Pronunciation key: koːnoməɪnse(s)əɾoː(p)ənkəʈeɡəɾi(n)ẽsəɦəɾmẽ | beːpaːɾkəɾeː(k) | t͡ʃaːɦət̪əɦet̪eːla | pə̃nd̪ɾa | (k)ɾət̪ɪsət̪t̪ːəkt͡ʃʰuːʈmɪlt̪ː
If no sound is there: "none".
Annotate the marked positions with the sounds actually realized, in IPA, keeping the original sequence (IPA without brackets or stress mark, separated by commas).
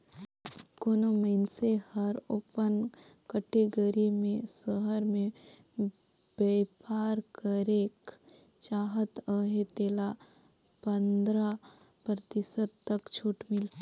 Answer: h, p, m, k, p